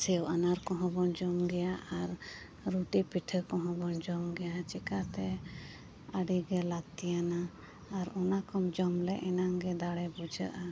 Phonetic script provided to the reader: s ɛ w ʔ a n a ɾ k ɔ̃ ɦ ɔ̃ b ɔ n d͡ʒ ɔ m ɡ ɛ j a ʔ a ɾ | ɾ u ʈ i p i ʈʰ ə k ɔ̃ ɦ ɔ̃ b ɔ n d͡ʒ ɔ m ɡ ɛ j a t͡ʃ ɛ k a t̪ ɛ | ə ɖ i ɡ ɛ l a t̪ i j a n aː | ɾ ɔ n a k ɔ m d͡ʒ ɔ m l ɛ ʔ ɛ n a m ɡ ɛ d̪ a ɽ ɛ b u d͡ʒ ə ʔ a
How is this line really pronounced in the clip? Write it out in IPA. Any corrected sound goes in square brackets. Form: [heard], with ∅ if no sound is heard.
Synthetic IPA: s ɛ w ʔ a n a ɾ k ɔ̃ ɦ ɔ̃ b ɔ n d͡ʒ ɔ m ɡ ɛ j a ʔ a ɾ | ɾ u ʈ i p i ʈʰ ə k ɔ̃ ɦ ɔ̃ b ɔ n d͡ʒ ɔ m ɡ ɛ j a t͡ʃ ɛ k a t̪ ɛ | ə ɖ i ɡ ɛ l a t̪ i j a n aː | ɾ ɔ n a k ɔ m d͡ʒ ɔ m l ɛ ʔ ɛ n a [ŋ] ɡ ɛ d̪ a ɽ ɛ b u d͡ʒ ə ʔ a